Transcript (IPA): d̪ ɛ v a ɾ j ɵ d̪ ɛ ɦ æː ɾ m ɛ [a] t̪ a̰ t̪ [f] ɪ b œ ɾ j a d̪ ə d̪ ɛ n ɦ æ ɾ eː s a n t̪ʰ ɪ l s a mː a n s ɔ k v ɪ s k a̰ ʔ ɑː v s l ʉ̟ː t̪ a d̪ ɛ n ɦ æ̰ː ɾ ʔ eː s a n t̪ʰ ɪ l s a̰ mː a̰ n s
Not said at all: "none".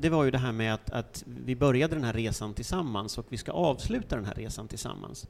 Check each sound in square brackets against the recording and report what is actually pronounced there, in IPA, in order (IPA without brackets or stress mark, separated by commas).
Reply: a, v